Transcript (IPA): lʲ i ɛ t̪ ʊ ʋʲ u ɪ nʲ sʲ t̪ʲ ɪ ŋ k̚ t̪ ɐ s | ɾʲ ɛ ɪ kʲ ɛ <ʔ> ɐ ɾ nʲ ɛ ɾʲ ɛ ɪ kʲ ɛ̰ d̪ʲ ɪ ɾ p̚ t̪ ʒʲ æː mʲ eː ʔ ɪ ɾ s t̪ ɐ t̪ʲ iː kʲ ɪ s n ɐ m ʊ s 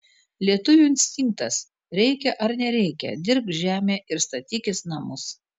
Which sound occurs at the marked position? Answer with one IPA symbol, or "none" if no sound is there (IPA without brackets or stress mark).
ʔ